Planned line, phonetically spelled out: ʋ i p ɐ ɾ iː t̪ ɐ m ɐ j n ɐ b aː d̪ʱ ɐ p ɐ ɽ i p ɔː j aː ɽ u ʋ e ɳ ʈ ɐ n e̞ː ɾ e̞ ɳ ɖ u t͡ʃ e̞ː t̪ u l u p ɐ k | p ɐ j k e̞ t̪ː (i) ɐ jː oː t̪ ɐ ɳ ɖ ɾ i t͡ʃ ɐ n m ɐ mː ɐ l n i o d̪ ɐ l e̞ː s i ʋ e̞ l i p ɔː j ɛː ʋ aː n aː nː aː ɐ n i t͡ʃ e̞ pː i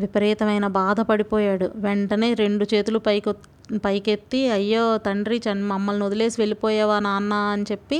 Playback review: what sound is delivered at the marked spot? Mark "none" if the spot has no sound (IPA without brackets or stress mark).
i